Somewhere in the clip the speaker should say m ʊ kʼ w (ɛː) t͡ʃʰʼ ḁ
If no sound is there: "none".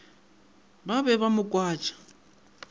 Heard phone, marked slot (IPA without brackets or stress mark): aː